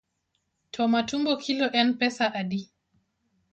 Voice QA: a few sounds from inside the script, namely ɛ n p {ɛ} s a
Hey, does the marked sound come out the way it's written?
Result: yes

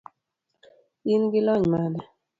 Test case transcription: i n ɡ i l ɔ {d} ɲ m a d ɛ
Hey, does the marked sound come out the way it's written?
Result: no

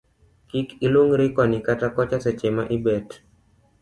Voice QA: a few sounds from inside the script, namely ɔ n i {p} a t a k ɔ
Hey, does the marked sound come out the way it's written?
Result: no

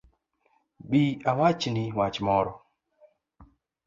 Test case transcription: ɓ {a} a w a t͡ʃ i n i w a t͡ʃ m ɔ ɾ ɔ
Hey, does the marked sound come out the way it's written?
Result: no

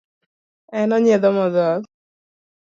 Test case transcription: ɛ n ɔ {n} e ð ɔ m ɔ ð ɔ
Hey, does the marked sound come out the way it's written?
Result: no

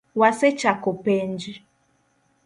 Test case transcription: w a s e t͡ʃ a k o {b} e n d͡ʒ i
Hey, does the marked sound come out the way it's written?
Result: no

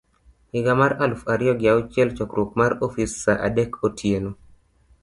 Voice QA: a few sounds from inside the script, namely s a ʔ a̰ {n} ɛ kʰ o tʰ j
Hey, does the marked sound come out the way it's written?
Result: no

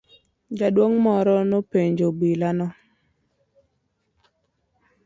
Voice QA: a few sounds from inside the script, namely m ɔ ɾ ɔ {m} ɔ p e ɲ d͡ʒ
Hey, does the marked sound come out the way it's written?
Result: no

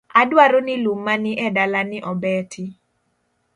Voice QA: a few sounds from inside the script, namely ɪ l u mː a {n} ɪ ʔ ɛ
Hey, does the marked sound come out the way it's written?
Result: yes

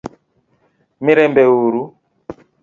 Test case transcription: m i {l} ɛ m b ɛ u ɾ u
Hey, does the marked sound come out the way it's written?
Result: no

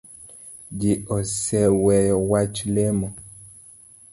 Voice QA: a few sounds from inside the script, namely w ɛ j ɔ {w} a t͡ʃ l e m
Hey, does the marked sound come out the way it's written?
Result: yes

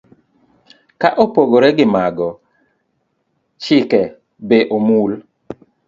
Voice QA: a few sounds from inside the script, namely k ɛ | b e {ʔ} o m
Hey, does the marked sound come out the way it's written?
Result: yes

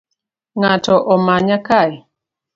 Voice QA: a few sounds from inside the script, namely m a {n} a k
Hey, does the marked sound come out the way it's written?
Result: no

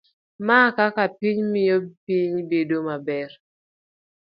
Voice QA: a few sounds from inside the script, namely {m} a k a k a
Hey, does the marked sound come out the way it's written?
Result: yes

